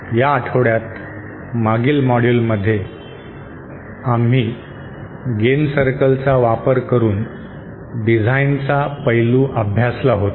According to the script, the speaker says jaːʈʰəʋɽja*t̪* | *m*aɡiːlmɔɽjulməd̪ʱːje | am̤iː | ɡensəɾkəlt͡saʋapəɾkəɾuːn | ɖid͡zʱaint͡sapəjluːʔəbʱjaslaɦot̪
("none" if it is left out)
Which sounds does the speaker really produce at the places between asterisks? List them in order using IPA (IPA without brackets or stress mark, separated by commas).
t̪, m